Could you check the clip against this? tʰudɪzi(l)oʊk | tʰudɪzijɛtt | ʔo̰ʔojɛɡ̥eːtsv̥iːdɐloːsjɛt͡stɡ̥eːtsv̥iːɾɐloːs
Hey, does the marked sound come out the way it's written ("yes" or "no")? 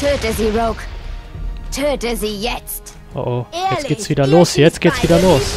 no